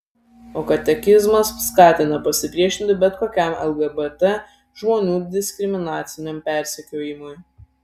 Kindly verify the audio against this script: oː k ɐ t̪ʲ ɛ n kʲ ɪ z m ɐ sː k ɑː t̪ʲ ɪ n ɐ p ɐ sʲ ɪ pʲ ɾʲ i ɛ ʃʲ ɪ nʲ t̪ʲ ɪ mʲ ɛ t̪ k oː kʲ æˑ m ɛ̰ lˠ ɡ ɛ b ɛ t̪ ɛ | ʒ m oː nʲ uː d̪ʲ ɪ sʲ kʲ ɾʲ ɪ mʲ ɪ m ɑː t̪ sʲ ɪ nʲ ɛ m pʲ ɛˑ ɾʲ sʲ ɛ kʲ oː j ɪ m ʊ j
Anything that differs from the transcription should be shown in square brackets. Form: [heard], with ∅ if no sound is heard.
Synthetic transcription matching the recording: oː k ɐ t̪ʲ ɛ [∅] kʲ ɪ z m ɐ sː k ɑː t̪ʲ ɪ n ɐ p ɐ sʲ ɪ pʲ ɾʲ i ɛ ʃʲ ɪ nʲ t̪ʲ ɪ [bʲ] ɛ t̪ k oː kʲ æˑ m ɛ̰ lˠ ɡ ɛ b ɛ t̪ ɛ | ʒ m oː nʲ uː d̪ʲ ɪ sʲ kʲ ɾʲ ɪ mʲ ɪ [n] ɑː t̪ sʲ ɪ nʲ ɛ m pʲ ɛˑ ɾʲ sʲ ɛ kʲ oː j ɪ m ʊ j